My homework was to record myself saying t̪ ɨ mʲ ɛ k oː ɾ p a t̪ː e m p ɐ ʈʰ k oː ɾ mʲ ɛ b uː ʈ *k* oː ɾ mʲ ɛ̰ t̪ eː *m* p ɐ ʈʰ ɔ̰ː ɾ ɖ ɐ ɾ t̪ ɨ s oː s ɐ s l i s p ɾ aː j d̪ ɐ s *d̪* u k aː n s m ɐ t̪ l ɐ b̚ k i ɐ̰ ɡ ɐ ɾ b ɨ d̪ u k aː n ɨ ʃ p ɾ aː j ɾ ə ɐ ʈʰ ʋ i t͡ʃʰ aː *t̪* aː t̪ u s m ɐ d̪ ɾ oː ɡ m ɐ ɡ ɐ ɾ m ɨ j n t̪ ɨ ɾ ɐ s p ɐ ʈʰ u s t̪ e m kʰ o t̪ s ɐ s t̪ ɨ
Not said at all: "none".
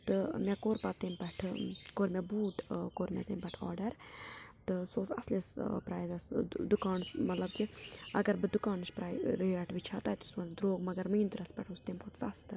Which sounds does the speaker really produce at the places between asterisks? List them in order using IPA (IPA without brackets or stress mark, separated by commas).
k, m, d̪, t̪